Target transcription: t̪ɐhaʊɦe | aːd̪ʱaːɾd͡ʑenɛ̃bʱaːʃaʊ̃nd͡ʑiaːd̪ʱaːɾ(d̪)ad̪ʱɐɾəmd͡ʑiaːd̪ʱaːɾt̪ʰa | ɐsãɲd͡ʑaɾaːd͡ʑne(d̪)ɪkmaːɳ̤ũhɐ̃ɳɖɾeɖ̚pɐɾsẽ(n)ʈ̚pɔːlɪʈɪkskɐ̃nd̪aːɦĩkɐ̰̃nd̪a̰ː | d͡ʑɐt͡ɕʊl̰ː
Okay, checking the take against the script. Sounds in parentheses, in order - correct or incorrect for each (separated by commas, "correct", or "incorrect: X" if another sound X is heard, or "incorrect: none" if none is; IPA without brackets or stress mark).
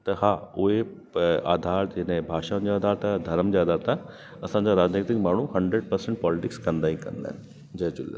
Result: incorrect: t̪, incorrect: t̪, incorrect: ɳ